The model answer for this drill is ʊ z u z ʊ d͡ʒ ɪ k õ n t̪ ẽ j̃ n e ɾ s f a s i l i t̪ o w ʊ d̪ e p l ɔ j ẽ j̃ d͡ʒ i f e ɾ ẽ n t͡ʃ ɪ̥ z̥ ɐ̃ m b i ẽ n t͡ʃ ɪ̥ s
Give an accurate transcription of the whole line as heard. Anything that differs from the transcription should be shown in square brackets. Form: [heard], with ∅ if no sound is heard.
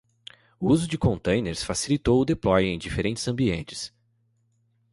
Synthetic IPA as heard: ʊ [∅] u z ʊ d͡ʒ ɪ k õ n t̪ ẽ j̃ n e ɾ s f a s i l i t̪ o w ʊ d̪ e p l ɔ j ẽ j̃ d͡ʒ i f e ɾ ẽ n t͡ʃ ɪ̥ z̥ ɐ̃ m b i ẽ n t͡ʃ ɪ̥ s

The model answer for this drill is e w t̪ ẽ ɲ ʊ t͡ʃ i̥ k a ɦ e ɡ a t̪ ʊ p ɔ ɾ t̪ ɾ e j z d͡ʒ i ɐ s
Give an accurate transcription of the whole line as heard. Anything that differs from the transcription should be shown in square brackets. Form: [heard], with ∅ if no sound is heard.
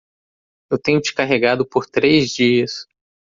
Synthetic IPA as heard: e w t̪ ẽ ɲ ʊ t͡ʃ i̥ k a ɦ e ɡ a [d̪] ʊ p [o] ɾ t̪ ɾ e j z d͡ʒ i ɐ s

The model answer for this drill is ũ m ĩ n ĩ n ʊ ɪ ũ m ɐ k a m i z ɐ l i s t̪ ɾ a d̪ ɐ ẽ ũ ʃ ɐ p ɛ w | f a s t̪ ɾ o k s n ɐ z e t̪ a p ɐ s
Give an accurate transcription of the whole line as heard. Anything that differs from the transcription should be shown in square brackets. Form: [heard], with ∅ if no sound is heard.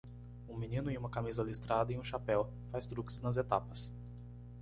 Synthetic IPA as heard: ũ m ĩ n ĩ n ʊ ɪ ũ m ɐ k a m i z ɐ l i s t̪ ɾ a d̪ ɐ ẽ ũ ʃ [a] p ɛ w | f a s t̪ ɾ [u] k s n ɐ z e t̪ a p ɐ s

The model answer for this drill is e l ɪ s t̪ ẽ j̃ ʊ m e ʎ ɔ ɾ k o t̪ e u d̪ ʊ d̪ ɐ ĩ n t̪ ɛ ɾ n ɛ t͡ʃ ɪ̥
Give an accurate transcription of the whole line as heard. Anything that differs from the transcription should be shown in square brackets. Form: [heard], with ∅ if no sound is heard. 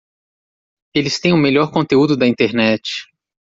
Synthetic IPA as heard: e l ɪ s t̪ ẽ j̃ ʊ m e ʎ ɔ ɾ k [õ] t̪ e u d̪ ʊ d̪ ɐ ĩ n t̪ [e] ɾ n ɛ t͡ʃ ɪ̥

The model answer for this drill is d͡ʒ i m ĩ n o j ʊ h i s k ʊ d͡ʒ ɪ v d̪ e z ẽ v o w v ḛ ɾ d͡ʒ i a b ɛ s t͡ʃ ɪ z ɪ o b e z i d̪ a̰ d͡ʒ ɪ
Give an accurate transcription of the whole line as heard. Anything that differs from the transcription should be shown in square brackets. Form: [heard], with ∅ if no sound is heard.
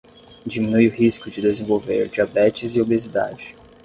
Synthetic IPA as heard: d͡ʒ i m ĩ n [u] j ʊ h i s k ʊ d͡ʒ ɪ [∅] d̪ e z ẽ v o w v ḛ ɾ d͡ʒ i a b ɛ [∅] t͡ʃ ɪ z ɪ o b e z i d̪ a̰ d͡ʒ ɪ

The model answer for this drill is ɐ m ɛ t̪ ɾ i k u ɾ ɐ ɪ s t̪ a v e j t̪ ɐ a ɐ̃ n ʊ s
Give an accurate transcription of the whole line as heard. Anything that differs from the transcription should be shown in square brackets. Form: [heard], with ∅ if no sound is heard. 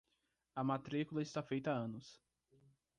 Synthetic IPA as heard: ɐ m [a] t̪ ɾ i k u [l] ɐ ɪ s t̪ a [f] e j t̪ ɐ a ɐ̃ n ʊ s

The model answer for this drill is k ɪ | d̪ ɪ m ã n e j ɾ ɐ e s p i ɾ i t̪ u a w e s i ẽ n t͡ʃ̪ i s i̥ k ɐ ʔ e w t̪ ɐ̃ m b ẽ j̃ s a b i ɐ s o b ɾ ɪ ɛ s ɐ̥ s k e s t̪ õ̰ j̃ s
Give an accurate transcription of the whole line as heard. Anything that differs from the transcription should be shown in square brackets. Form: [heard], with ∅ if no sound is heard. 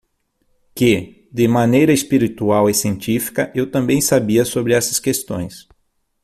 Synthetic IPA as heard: k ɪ | d̪ ɪ m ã n e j ɾ ɐ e s p i ɾ i t̪ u a w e s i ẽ n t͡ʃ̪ i [f] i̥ k ɐ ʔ e w t̪ ɐ̃ m b ẽ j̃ s a b i ɐ s o b ɾ ɪ ɛ s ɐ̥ s k e s t̪ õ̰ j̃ s

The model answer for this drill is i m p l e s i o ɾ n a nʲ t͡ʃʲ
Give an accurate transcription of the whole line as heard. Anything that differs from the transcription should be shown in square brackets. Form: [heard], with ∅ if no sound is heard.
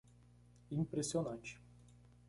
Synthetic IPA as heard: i m p [ɾ] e s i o [∅] n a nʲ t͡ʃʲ

